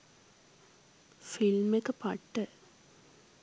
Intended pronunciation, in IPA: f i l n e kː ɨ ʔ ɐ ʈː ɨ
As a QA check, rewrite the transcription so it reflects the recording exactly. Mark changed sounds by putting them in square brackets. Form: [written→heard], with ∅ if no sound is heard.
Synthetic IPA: f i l [n→m] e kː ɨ [ʔ→p] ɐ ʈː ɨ